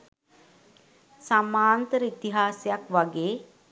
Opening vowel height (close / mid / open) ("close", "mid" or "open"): open